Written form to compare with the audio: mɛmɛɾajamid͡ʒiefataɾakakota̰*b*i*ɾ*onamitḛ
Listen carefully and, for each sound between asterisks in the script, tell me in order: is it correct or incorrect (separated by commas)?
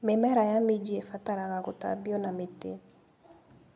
correct, incorrect